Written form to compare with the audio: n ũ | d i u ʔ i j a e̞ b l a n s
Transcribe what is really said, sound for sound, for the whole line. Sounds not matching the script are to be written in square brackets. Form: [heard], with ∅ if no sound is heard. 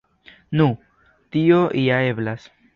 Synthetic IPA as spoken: n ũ | [t] i [o] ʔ i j a e̞ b l a [∅] s

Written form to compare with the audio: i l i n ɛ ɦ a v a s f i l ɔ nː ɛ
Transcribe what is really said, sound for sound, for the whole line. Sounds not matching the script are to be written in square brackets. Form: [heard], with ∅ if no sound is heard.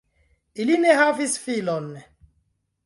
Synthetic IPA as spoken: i l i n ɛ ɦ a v [i] s f i l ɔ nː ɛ

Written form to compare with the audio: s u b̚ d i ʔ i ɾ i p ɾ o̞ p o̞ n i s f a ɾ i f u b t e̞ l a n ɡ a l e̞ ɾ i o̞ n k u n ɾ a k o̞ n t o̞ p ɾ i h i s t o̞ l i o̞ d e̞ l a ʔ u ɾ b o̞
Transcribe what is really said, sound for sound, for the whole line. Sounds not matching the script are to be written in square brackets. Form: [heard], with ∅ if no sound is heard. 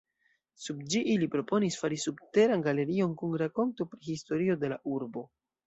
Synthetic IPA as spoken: s u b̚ [d͡ʒ] i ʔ i [l] i p ɾ o̞ p o̞ n i s f a ɾ i [s] u b t e̞ [ɾ] a n ɡ a l e̞ ɾ i o̞ n k u n ɾ a k o̞ n t o̞ p ɾ i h i s t o̞ [ɾ] i o̞ d e̞ l a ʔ u ɾ b o̞

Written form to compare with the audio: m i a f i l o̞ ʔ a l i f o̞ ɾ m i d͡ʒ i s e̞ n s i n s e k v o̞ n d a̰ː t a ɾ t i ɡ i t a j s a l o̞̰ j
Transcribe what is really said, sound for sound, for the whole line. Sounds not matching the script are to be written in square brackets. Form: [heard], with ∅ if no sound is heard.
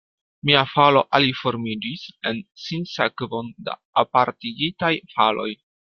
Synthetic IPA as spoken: m i a f [a] l o̞ ʔ a l i f o̞ ɾ m i d͡ʒ i s e̞ n s i n s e k v o̞ n d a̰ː [p] a ɾ t i ɡ i t a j [f] a l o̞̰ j

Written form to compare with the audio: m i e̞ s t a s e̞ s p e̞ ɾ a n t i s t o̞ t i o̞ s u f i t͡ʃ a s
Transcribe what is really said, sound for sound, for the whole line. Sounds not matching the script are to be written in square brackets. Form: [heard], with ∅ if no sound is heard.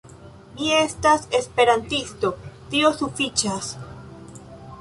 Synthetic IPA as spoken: m i e̞ s t a s e̞ s p e̞ ɾ a n t i s t o̞ t i o̞ s u f i t͡ʃ a s

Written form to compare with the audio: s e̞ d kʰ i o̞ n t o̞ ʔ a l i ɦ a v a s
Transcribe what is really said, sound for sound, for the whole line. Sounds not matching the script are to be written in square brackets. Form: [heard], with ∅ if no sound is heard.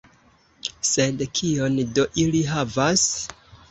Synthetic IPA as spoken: s e̞ d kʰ i o̞ n [d] o̞ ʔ [i] l i ɦ a v a s

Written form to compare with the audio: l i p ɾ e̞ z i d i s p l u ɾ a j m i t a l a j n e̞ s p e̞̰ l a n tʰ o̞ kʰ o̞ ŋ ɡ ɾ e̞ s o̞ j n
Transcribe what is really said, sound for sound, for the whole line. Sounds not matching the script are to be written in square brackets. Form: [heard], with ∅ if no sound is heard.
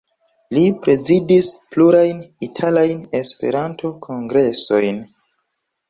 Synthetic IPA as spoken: l i p ɾ e̞ z i d i s p l u ɾ a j [n] i [tʰ] a l a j n e̞ s p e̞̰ [ɾ] a n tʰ o̞ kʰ o̞ ŋ ɡ ɾ e̞ s o̞ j n

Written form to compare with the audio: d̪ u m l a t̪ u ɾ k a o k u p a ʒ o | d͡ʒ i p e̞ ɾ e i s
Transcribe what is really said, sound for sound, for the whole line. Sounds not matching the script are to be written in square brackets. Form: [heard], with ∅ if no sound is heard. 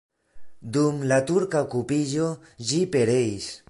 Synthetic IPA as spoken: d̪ u m l a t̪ u ɾ k a o k u p [i] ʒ o | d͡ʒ i p e̞ ɾ e i s

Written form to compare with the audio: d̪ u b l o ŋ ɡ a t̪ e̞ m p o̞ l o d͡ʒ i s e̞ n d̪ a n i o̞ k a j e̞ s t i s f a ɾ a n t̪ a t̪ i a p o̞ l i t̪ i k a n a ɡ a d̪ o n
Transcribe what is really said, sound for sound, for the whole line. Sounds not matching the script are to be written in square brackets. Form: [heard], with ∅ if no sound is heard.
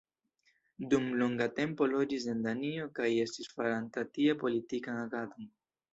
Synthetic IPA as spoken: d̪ u [m] l o ŋ ɡ a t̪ e̞ m p o̞ l o d͡ʒ i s e̞ n d̪ a n i o̞ k a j e̞ s t i s f a ɾ a n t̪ a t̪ i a p o̞ l i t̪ i k a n a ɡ a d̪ o n

